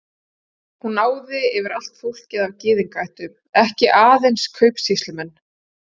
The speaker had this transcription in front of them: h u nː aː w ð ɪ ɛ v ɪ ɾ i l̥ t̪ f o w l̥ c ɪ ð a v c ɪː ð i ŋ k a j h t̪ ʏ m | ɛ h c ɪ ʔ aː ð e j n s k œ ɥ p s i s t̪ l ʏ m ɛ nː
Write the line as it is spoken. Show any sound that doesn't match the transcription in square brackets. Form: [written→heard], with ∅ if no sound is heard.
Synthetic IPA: h u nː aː w ð ɪ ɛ v ɪ ɾ [i→a] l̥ t̪ f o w l̥ c ɪ ð a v c ɪː ð i ŋ k a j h t̪ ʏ m | ɛ h c ɪ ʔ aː ð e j n s [k→kʰ] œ ɥ p s i s t̪ l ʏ m ɛ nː